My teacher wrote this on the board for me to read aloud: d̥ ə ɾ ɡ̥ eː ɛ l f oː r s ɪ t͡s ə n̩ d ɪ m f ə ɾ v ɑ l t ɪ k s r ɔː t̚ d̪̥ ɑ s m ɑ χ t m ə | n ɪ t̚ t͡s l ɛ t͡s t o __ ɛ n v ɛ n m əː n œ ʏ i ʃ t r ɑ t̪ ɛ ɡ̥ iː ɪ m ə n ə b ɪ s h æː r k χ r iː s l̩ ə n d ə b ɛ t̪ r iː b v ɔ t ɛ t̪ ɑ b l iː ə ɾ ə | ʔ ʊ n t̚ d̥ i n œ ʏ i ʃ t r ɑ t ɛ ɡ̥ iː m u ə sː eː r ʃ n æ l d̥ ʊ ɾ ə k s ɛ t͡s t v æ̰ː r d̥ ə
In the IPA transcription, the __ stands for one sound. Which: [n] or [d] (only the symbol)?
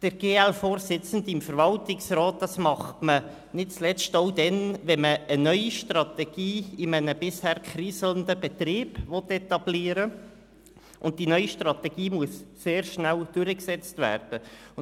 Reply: d